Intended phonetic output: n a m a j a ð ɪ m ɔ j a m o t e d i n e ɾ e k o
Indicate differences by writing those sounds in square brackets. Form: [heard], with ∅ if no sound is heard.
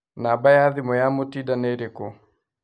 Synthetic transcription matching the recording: n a [b] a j a ð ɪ m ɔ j a m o t [i] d [a] n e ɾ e k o